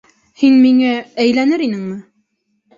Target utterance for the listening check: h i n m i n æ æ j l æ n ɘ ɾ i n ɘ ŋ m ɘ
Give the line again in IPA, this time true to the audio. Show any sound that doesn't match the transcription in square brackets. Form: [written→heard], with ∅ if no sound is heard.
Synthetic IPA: h i n m i [n→ŋ] æ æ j l æ n ɘ ɾ i n ɘ ŋ m ɘ